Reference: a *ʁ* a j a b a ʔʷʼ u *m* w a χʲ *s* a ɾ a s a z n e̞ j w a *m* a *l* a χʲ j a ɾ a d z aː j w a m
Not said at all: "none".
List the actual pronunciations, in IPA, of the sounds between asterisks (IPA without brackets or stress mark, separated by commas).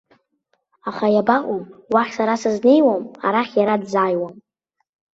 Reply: χ, m, s, m, ɾ